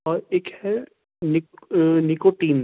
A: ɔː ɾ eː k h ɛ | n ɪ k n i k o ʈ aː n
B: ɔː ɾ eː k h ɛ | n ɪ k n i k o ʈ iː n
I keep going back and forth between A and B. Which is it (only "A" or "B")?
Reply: B